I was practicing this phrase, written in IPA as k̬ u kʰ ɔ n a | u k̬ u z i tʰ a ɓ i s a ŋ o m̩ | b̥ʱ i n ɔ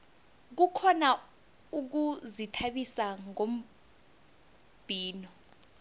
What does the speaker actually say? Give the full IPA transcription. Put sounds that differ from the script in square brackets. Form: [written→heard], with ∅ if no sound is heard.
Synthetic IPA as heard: k̬ u kʰ ɔ n a | u k̬ u z i tʰ a ɓ i s a ŋ o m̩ | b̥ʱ [i→iː] n ɔ